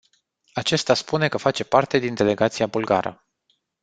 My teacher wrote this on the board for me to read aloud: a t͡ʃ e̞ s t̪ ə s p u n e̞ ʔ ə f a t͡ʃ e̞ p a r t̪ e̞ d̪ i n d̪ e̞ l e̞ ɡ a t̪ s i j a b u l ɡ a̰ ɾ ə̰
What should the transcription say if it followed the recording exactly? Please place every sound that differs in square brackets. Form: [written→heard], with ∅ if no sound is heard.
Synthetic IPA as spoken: a t͡ʃ e̞ s t̪ [ə→a] s p u n e̞ [ʔ→k] ə f a t͡ʃ e̞ p a r t̪ e̞ d̪ i n d̪ e̞ l e̞ ɡ a t̪ s i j a b u l ɡ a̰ ɾ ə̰